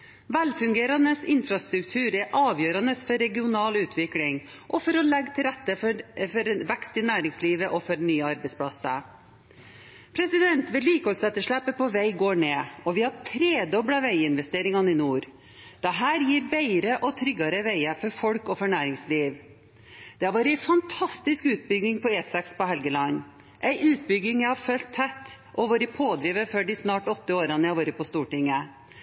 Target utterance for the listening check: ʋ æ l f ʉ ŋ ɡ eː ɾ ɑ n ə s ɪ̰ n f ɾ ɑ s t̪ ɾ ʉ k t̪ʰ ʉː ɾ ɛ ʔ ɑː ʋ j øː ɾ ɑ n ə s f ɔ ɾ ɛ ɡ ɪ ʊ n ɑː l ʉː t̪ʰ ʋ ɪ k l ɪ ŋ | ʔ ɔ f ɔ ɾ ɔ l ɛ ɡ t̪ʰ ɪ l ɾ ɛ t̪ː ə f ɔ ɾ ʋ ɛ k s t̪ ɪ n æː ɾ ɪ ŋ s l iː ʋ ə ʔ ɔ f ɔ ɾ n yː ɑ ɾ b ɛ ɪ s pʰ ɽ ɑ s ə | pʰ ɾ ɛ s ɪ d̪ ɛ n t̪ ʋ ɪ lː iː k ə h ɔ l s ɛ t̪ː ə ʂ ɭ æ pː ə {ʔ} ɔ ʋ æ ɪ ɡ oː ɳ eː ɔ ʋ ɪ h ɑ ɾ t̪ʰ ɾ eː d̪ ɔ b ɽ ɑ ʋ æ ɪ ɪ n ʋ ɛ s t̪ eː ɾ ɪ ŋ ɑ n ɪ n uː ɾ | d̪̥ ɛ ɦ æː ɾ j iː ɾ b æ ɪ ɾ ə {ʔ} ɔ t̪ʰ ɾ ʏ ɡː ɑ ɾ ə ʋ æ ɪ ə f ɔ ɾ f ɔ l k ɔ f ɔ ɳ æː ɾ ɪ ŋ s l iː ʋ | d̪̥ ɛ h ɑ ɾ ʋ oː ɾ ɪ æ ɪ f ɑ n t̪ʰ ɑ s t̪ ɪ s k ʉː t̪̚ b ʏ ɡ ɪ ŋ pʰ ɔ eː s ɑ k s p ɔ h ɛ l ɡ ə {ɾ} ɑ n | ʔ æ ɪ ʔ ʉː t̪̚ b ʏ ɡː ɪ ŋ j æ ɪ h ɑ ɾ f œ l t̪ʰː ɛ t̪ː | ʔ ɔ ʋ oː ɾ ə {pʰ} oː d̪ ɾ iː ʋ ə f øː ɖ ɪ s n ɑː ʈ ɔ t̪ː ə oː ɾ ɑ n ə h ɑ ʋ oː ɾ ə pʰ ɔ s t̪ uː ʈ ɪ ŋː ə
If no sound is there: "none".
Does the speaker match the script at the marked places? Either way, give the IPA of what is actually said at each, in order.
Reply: p, ʔ, l, pʰ

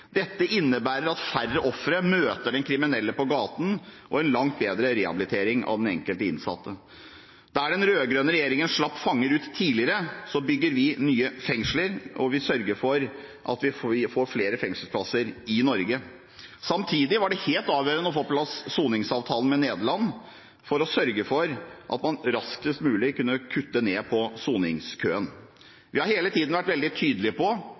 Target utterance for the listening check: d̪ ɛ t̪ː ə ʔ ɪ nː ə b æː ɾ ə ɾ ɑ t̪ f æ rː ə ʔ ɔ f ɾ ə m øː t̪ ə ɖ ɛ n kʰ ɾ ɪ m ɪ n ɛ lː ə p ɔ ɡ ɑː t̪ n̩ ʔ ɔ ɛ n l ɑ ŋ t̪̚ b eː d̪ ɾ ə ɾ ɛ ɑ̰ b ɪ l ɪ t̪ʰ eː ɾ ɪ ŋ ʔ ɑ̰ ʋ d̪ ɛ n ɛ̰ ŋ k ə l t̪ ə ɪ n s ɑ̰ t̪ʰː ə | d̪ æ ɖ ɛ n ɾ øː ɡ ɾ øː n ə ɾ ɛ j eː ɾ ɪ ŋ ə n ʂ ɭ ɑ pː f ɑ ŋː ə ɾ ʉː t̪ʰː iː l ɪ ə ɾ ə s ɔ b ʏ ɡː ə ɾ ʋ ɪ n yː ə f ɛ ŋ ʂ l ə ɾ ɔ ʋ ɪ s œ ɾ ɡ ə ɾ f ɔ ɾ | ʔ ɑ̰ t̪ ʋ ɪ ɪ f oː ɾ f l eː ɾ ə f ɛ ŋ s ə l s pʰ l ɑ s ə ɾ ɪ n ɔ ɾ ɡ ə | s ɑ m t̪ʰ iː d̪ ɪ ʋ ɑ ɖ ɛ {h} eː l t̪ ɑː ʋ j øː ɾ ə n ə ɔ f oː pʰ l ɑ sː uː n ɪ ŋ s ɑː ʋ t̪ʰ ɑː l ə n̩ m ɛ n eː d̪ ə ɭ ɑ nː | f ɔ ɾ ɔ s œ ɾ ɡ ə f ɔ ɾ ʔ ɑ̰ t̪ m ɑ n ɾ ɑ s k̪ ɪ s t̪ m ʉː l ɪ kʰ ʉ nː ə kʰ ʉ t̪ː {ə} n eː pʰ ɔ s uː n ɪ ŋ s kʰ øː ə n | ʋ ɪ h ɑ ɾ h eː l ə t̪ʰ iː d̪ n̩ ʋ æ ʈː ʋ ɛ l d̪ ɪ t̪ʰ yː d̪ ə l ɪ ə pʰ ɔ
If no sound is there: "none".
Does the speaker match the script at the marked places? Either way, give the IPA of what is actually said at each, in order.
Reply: h, ə

